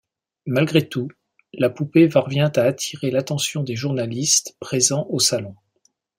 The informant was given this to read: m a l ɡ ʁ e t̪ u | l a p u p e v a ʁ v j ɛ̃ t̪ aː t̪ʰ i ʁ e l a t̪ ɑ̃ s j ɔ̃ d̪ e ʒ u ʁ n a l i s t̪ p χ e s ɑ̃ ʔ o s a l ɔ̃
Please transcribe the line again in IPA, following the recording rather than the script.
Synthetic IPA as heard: m a l ɡ ʁ e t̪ u | l a p u p e v a ʁ v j ɛ̃ t̪ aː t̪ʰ i ʁ e l a t̪ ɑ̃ s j ɔ̃ d̪ e ʒ u ʁ n a l i s t̪ p χ e z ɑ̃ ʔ o s a l ɔ̃